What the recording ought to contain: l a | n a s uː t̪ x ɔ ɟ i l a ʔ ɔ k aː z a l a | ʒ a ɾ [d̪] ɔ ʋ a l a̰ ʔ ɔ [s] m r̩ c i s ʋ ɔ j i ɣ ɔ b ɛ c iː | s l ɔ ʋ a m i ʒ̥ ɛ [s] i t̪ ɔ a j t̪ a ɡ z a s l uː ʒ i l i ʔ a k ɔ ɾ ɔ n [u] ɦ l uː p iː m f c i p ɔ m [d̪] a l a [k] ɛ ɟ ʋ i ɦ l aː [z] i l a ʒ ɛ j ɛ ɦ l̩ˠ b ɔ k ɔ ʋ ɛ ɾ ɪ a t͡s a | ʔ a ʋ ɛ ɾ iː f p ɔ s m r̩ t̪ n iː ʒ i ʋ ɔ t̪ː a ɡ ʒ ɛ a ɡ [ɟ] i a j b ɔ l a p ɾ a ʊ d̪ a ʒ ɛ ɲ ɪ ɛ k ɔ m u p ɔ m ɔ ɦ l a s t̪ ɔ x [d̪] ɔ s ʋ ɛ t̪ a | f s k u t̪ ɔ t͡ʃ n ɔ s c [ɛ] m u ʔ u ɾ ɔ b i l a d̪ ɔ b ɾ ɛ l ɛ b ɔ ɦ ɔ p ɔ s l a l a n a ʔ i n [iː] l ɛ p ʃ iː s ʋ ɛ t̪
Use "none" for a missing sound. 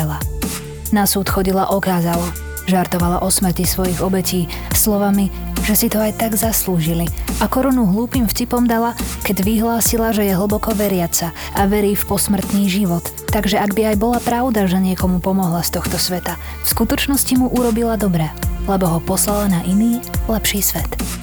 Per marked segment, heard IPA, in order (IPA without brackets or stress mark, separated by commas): t̪, s, s, u, d̪, k, s, b, t̪, i, iː